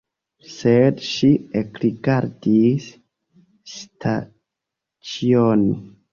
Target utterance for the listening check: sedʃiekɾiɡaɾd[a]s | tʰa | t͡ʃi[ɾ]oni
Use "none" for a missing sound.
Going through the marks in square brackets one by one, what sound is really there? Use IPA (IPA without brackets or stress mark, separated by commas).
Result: i, none